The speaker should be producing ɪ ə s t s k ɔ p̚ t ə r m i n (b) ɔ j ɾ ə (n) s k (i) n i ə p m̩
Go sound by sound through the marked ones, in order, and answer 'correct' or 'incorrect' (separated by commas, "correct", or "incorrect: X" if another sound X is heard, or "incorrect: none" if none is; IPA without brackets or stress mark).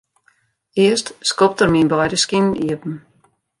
correct, incorrect: none, correct